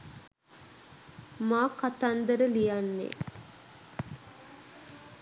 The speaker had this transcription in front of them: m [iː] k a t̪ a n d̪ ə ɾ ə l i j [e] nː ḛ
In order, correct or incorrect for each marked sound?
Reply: incorrect: aː, incorrect: a

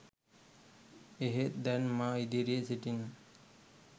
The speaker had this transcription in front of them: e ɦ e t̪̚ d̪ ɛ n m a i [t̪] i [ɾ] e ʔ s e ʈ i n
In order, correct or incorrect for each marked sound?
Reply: incorrect: d̪, correct

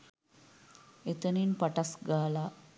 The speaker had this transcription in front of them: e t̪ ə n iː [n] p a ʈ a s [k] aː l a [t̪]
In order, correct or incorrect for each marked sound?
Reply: correct, incorrect: ɡ, incorrect: none

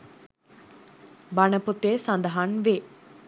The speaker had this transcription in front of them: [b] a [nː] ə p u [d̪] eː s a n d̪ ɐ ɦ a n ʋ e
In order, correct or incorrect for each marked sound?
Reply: correct, incorrect: n, incorrect: t̪

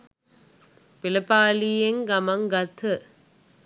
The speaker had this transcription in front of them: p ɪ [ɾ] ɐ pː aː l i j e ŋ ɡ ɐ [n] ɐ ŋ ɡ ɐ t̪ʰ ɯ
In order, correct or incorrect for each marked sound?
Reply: incorrect: l, incorrect: m

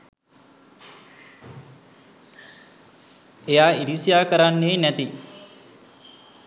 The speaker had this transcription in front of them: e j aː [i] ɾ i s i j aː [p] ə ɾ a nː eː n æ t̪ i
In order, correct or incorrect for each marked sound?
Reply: correct, incorrect: k

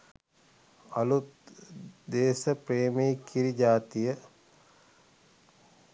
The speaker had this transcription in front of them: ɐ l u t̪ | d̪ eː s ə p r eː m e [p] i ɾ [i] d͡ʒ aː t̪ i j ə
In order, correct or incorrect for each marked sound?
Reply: incorrect: k, correct

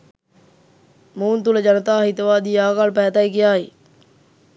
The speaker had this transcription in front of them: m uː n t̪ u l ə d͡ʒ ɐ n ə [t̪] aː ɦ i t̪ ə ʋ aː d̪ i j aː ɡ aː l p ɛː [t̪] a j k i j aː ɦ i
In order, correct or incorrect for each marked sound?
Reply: correct, correct

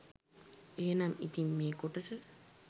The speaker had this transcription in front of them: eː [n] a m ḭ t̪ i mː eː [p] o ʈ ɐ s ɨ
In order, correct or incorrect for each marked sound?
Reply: correct, incorrect: k

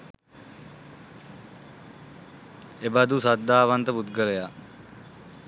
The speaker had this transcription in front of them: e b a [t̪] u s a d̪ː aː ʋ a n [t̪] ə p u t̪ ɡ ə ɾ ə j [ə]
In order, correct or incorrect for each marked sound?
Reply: incorrect: d̪, correct, incorrect: a

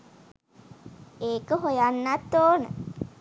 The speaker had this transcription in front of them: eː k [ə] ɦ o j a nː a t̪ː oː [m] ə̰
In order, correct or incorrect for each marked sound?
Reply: correct, incorrect: n

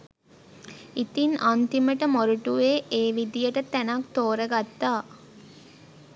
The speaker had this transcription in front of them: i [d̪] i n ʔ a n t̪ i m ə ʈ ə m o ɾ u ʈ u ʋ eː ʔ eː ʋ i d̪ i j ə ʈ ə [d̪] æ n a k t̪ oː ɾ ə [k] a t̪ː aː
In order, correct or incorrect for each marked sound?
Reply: incorrect: t̪, incorrect: t̪, incorrect: ɡ

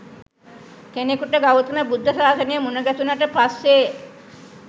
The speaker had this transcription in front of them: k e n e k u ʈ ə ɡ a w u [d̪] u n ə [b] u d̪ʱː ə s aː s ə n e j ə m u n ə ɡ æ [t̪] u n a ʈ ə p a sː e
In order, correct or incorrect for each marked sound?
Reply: incorrect: t̪, correct, correct

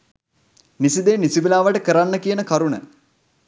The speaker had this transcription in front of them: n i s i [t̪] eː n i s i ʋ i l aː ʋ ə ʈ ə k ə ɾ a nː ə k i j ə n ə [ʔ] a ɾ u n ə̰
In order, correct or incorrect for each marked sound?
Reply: incorrect: d̪, incorrect: k

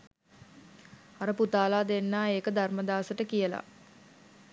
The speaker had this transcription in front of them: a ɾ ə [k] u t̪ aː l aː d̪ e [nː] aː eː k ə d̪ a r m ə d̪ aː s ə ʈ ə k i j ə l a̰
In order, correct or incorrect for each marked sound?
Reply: incorrect: p, correct

